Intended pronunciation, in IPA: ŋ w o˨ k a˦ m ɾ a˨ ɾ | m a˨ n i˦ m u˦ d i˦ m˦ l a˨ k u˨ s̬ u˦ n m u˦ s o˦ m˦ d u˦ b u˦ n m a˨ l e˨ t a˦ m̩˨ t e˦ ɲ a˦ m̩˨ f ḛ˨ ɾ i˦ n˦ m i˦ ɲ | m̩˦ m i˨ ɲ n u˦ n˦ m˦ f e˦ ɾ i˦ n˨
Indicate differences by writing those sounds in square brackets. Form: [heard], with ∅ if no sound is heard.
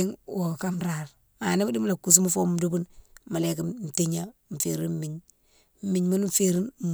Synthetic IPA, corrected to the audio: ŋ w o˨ k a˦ m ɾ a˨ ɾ | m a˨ n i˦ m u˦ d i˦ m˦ l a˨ k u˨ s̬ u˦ [∅] m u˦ [f] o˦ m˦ d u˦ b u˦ n m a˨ l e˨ [k] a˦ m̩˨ t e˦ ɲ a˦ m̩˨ f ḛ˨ ɾ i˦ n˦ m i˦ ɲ | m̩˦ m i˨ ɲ [m] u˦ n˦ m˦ f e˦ ɾ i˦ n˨